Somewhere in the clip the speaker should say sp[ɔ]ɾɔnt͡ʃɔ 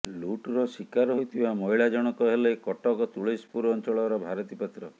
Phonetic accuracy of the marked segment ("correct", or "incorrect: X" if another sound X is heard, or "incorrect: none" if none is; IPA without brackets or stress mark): incorrect: u